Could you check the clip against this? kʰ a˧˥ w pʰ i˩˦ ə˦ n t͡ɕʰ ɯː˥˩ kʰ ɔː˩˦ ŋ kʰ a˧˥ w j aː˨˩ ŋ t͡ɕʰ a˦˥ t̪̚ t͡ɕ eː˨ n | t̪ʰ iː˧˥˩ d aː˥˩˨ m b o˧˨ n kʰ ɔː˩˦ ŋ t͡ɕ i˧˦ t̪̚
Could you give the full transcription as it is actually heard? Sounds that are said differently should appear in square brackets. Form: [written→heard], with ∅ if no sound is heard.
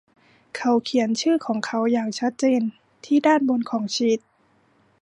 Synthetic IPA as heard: kʰ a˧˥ w [pʰ→kʰ] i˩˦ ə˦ n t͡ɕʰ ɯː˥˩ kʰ ɔː˩˦ ŋ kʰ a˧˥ w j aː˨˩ ŋ t͡ɕʰ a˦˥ t̪̚ t͡ɕ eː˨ n | t̪ʰ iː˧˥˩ d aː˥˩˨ [m→n] b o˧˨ n kʰ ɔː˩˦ ŋ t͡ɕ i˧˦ t̪̚